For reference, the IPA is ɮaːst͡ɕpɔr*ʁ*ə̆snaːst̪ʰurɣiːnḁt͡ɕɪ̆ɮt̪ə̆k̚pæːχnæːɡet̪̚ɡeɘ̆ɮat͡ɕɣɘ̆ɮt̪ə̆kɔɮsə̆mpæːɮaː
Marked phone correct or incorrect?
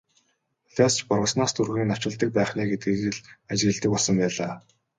correct